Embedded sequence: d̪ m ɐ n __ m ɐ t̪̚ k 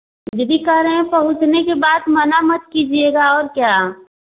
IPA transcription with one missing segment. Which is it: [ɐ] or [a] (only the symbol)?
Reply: a